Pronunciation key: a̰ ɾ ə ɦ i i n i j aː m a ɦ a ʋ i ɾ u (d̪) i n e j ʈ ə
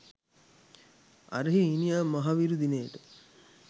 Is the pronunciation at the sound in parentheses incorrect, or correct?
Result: correct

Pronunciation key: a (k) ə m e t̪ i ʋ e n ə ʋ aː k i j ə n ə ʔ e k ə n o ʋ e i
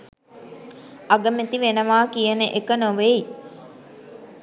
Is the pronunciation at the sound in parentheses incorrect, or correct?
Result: incorrect: ɡ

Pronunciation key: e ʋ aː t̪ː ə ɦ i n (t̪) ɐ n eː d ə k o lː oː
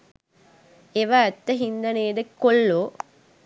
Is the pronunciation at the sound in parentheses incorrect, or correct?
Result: incorrect: d̪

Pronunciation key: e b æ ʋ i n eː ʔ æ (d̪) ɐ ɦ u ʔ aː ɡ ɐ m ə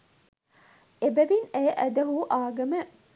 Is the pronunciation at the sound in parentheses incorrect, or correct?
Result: correct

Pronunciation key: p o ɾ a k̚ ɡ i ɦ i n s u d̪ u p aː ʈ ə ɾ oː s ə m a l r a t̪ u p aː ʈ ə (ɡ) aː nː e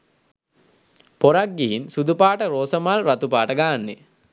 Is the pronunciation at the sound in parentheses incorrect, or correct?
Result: correct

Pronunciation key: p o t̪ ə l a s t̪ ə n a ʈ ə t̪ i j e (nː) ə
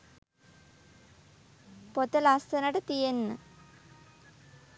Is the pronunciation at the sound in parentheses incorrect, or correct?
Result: correct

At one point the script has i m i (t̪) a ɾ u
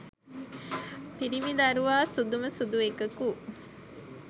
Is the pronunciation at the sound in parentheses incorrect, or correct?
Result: incorrect: d̪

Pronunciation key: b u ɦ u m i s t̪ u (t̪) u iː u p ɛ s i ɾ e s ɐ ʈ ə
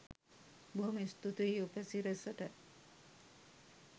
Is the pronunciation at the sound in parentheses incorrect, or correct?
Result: correct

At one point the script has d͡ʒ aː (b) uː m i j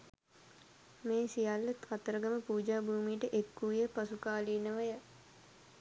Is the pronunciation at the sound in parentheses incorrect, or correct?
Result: correct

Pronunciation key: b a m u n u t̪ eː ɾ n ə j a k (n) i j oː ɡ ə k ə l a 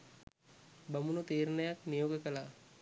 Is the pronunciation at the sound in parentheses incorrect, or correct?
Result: correct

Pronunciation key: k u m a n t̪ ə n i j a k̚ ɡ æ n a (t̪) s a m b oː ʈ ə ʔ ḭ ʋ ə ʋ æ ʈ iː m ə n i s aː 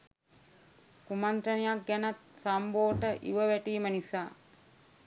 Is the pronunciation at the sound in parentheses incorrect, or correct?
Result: correct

